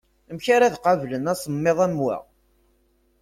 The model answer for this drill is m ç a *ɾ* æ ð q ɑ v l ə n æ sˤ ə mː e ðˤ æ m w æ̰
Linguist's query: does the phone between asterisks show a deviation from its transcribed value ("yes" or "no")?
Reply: no